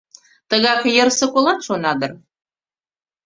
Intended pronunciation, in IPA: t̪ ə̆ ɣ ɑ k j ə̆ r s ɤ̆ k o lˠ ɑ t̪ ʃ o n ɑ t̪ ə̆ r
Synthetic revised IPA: t̪ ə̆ ɣ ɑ k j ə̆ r s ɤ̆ k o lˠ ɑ t̪ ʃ o n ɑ d̪ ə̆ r